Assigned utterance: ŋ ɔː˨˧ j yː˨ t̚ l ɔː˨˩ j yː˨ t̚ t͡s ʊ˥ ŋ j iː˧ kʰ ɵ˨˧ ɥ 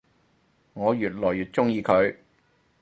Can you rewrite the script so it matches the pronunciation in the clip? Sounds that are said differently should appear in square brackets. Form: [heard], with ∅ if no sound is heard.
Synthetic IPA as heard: ŋ ɔː˨˧ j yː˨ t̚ l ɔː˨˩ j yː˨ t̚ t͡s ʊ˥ ŋ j iː˧ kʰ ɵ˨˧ ɥ